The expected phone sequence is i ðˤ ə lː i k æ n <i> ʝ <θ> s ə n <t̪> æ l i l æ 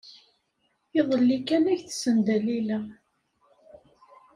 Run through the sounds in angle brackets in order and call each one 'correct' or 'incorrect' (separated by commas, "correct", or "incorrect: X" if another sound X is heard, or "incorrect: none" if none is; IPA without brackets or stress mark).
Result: incorrect: æ, correct, incorrect: d̪